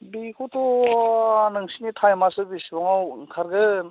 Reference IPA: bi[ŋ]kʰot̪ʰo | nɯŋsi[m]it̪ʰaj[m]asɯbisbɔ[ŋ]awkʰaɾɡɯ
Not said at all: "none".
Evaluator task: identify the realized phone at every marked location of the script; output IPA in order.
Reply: none, n, m, ŋ

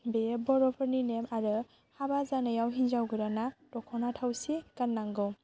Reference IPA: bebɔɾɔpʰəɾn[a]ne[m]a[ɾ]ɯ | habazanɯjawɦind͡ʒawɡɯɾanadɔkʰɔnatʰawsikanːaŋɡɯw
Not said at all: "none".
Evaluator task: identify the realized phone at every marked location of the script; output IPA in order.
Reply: i, m, ɾ

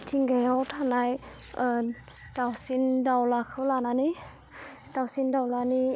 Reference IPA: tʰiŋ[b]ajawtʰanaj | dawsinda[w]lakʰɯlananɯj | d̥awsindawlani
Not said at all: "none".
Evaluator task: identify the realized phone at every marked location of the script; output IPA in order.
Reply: ɡ, w

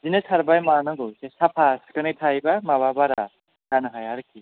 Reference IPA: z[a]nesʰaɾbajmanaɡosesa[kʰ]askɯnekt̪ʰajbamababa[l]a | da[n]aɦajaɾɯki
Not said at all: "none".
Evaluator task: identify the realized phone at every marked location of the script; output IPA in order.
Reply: i, pʰ, ɾ, n

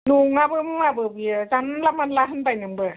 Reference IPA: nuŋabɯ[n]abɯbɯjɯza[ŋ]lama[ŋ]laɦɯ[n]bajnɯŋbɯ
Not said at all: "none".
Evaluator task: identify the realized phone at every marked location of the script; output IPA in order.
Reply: m, n, n, n

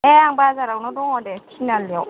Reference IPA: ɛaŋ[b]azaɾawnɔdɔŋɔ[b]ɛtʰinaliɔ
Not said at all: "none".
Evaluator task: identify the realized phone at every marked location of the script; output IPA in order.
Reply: b, d

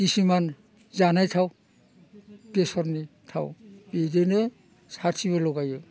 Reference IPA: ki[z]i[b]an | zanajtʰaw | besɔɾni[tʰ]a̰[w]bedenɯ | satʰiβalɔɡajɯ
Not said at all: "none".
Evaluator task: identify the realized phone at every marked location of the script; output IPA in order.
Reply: s, m, tʰ, w

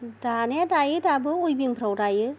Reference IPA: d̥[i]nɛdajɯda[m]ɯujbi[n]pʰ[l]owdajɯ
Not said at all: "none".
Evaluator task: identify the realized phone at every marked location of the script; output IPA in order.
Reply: a, b, ŋ, ɾ

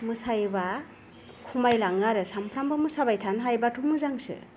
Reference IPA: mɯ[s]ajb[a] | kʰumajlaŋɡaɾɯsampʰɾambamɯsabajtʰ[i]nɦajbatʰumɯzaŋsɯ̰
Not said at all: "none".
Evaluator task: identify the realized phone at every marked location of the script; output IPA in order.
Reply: s, a, a

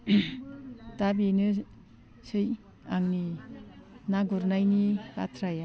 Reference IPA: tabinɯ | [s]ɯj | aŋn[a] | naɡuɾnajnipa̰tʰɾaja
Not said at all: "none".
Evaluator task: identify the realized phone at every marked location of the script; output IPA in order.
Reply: s, i

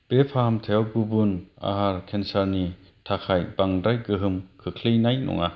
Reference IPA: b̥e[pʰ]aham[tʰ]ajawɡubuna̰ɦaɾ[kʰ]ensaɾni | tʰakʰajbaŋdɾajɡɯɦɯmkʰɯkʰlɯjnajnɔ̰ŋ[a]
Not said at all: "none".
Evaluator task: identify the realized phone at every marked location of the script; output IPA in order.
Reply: pʰ, tʰ, kʰ, a

